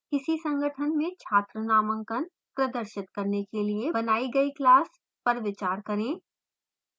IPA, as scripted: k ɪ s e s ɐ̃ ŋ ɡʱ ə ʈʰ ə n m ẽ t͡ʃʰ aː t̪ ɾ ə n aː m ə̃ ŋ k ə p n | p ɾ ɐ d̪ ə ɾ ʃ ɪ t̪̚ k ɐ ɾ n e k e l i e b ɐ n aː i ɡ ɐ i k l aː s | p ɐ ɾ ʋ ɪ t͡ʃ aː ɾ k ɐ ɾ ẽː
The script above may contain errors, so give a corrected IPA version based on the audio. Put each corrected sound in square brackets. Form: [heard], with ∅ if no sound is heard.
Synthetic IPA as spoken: k ɪ s [i] s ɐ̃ ŋ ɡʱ ə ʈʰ ə n m ẽ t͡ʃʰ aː t̪ ɾ ə n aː m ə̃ ŋ k ə [∅] n | p ɾ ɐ d̪ ə ɾ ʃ ɪ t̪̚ k ɐ ɾ n e k e l i e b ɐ n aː i ɡ ɐ i k l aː s | p ɐ ɾ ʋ ɪ t͡ʃ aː ɾ k ɐ ɾ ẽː